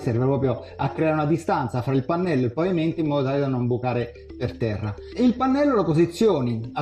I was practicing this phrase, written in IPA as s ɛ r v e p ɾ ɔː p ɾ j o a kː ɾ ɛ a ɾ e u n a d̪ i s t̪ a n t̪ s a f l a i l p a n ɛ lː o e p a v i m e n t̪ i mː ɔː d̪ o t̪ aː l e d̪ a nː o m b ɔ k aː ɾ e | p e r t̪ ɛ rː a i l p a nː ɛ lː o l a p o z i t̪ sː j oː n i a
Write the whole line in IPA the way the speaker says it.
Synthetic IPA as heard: s ɛ r v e p ɾ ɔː p ɾ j o a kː ɾ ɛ a ɾ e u n a d̪ i s t̪ a n t̪ s a f ɾ a i l p a nː ɛ lː o e p a v i m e n t̪ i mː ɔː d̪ o t̪ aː l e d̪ a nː o m b u k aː ɾ e | p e r t̪ ɛ rː a i l p a nː ɛ lː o l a p o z i t̪ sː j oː n i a